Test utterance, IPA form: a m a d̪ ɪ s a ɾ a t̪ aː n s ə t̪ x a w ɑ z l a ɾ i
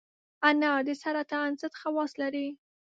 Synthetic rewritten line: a n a d̪ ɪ s a ɾ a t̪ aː n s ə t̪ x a w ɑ s l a ɾ i